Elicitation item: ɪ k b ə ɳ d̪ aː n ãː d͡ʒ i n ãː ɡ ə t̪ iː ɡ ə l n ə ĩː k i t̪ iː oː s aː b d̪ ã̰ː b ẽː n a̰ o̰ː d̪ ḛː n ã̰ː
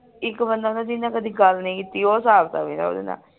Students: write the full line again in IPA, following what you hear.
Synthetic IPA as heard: ɪ k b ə n d̪ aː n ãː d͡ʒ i n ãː k ə d̪ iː ɡ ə l n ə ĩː k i t̪ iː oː s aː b t̪ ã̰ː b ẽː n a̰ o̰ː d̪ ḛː n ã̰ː